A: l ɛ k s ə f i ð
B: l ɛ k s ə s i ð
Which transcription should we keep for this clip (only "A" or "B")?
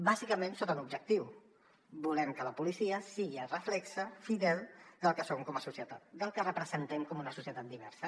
A